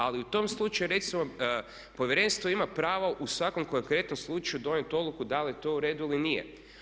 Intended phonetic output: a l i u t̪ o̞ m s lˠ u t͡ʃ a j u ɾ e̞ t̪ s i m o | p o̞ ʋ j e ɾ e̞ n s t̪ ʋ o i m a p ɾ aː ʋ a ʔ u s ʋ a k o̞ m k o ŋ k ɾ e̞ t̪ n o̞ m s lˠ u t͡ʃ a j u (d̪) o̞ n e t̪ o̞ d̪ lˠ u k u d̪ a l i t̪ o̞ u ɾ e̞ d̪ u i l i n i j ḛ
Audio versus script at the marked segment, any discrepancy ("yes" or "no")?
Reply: no